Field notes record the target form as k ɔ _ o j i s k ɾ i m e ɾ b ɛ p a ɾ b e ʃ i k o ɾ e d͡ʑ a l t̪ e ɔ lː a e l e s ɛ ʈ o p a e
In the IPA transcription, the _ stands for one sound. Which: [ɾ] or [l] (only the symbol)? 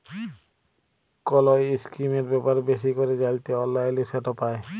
l